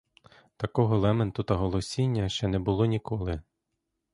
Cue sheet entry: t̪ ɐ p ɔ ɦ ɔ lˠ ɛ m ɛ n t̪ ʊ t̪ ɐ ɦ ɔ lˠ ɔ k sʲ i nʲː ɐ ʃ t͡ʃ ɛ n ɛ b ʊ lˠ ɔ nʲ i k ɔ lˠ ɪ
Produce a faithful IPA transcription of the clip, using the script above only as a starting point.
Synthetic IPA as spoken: t̪ ɐ k ɔ ɦ ɔ lˠ ɛ m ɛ n t̪ ʊ t̪ ɐ ɦ ɔ lˠ ɔ sʲ i nʲː ɐ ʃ t͡ʃ ɛ n ɛ b ʊ lˠ ɔ nʲ i k ɔ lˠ ɪ